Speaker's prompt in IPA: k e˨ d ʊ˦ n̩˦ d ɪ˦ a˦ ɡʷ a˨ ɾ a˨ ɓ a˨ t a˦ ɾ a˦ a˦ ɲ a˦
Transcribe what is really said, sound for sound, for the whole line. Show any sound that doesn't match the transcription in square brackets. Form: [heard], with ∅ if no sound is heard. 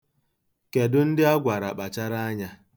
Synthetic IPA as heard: k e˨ d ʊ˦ n̩˦ d ɪ˦ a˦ ɡʷ a˨ ɾ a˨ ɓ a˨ [t͡ʃ] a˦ ɾ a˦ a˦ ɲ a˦